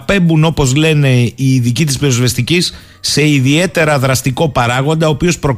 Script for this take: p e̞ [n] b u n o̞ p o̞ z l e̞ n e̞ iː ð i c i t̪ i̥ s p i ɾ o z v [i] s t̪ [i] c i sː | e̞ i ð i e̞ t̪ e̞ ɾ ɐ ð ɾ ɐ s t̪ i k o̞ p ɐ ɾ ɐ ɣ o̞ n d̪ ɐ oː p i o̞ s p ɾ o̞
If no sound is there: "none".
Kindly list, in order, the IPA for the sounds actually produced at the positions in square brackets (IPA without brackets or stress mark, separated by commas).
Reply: m, e, i